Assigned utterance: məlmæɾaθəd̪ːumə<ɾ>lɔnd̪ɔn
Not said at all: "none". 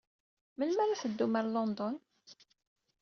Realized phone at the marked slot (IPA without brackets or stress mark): ɾ